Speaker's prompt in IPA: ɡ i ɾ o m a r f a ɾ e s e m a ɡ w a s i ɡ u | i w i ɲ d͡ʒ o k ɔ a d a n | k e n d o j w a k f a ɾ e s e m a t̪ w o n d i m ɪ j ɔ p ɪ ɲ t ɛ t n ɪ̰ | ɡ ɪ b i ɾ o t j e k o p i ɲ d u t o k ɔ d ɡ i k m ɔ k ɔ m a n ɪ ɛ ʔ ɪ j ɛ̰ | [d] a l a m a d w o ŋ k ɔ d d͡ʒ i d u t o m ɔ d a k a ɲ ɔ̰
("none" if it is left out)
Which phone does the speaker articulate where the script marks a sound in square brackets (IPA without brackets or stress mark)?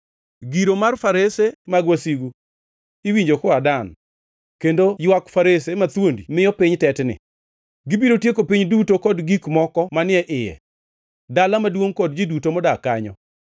d